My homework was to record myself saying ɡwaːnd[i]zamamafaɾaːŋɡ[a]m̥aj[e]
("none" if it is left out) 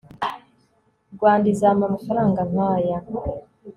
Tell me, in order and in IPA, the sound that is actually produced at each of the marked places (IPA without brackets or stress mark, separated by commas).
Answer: i, a, a